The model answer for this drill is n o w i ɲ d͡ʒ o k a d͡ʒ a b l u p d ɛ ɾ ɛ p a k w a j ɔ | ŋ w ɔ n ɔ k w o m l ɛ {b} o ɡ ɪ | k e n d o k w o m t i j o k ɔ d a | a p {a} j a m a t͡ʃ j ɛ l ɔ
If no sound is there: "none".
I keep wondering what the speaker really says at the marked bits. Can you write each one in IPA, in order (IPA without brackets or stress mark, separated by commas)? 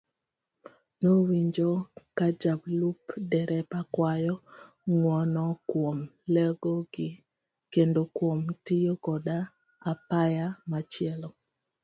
ɡ, a